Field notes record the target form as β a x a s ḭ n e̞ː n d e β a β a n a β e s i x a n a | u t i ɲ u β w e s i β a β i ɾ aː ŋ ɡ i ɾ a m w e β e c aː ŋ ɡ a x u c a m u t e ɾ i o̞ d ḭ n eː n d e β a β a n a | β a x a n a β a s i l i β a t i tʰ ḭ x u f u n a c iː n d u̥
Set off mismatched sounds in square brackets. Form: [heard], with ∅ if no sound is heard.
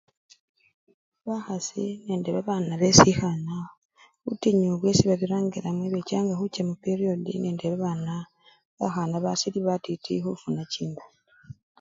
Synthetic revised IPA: β a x a s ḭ n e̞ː n d e β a β a n a β e s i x a n a | u t i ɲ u β w e s i β a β i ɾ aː ŋ ɡ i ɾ a m w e β e c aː ŋ ɡ a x u c a m u [p] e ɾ i o̞ d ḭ n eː n d e β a β a n a | β a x a n a β a s i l i β a t i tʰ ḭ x u f u n a c iː n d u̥